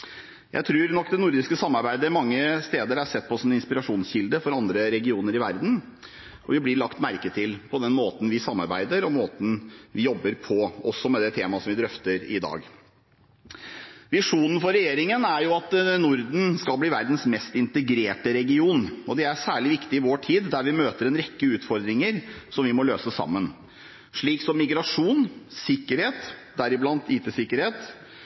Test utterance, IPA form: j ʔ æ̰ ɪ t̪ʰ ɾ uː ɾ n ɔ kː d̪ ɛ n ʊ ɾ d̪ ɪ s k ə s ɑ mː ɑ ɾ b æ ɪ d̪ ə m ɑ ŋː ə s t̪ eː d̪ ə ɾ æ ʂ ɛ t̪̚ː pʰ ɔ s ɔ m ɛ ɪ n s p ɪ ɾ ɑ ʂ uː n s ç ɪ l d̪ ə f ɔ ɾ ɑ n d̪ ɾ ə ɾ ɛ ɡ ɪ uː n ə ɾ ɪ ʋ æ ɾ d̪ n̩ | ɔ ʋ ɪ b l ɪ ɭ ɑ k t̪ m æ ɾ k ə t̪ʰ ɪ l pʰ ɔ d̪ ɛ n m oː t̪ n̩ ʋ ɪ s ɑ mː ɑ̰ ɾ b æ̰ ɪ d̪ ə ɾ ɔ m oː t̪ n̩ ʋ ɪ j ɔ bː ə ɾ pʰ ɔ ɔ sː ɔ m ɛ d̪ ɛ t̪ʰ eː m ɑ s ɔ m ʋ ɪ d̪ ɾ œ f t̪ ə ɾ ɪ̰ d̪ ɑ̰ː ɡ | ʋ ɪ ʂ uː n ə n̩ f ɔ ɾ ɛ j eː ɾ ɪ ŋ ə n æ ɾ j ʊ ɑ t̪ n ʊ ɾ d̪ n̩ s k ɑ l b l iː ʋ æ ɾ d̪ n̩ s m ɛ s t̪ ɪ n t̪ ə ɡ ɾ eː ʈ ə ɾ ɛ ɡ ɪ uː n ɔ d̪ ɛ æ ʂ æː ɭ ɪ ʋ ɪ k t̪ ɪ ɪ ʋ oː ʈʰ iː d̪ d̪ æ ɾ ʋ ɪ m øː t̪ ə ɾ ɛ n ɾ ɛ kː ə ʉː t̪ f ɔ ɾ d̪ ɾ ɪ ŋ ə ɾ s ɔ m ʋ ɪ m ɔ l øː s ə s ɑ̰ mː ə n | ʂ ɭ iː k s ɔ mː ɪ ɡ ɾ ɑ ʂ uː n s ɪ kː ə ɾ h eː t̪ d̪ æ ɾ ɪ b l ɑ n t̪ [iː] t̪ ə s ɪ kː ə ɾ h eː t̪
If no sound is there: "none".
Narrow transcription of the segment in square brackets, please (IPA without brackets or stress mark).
iː